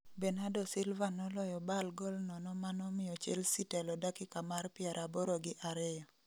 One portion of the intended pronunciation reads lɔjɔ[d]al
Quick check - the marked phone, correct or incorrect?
incorrect